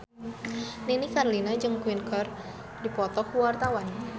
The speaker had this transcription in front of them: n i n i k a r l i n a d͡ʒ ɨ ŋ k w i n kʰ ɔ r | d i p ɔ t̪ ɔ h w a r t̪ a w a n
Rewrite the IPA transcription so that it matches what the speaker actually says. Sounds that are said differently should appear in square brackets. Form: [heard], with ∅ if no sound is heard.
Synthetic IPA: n i n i k a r l i n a d͡ʒ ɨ ŋ k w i n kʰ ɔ r | d i p ɔ t̪ ɔ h w a r t̪ a w a n